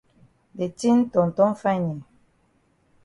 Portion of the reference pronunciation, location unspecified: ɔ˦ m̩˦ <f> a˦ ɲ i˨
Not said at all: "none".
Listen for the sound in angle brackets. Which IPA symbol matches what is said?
f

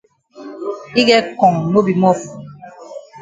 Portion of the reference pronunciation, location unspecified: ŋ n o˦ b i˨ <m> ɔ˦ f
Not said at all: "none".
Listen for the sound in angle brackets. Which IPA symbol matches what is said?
m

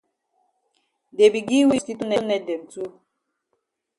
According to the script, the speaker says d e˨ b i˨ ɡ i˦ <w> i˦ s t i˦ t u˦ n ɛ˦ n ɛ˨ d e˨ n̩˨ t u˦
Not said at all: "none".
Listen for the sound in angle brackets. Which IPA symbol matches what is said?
w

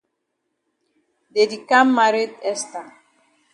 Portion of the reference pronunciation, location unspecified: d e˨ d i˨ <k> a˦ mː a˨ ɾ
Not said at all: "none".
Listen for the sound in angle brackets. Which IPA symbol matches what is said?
k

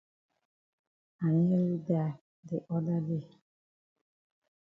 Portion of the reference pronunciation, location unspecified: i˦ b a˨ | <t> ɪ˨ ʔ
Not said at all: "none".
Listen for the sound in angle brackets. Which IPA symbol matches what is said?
d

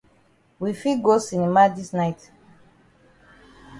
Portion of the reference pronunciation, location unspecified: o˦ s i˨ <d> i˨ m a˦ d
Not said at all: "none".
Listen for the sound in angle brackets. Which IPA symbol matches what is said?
n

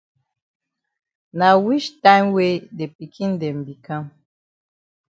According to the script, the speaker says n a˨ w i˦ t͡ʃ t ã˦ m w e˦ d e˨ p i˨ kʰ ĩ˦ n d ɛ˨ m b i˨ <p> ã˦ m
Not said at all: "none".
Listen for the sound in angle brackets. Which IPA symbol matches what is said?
k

